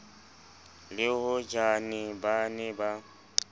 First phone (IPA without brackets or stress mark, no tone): l